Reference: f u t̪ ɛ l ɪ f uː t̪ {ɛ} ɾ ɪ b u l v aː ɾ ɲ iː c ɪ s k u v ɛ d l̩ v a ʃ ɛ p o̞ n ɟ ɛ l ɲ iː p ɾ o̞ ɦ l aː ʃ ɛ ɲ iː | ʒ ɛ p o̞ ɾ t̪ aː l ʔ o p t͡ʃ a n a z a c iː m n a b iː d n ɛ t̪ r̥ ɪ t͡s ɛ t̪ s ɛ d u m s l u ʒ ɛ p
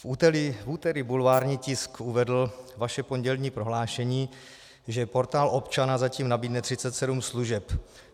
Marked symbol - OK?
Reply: yes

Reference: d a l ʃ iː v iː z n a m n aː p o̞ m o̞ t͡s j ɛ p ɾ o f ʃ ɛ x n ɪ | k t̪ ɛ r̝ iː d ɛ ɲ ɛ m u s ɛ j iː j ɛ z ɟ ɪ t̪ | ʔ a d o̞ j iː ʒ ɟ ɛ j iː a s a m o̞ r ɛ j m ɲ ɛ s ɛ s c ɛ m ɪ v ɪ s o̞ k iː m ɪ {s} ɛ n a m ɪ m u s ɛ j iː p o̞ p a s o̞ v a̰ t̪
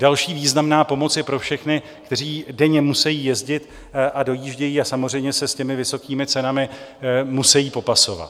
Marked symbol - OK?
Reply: no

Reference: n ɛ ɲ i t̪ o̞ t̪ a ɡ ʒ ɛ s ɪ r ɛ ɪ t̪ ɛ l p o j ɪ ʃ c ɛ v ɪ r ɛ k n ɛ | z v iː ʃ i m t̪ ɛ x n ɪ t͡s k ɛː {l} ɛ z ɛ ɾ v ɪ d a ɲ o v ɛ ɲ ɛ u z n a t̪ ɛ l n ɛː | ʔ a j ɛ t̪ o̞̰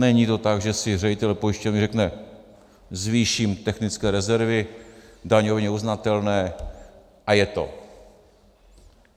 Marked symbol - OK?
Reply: no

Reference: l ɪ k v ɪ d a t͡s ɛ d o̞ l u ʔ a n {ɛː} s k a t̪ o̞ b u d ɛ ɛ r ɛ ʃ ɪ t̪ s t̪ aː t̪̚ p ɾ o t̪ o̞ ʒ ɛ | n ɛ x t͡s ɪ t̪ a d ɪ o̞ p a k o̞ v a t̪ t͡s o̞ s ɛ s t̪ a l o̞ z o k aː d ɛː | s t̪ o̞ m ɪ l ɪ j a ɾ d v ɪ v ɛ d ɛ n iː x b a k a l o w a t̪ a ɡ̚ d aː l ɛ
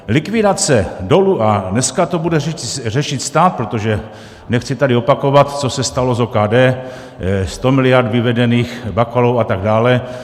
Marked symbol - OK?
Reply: no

